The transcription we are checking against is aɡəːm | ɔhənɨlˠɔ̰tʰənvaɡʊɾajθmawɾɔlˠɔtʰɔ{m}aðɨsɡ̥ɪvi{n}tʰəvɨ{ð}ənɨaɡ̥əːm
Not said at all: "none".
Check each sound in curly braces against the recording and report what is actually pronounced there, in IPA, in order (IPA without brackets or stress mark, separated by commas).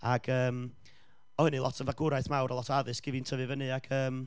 none, n, v